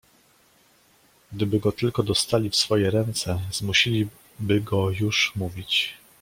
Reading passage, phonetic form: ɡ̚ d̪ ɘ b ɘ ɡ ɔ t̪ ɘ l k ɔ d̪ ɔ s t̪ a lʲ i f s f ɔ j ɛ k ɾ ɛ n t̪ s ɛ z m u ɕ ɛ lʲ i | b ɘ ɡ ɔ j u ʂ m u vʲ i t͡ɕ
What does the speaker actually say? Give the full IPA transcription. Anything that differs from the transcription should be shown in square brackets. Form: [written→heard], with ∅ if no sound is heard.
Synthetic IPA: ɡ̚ d̪ ɘ b ɘ ɡ ɔ t̪ ɘ l k ɔ d̪ ɔ s t̪ a lʲ i f s f ɔ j ɛ [k→∅] ɾ ɛ n t̪ s ɛ z m u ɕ [ɛ→i] lʲ i | b ɘ ɡ ɔ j u ʂ m u vʲ i t͡ɕ